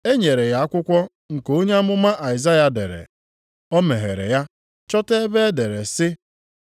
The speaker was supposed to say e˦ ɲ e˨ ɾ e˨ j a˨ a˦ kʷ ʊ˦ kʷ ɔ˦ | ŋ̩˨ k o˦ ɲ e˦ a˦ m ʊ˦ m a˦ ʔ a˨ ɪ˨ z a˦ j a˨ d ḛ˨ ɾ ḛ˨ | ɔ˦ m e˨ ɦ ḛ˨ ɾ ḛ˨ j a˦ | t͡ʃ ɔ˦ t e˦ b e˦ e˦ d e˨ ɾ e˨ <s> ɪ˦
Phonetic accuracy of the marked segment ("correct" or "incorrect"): correct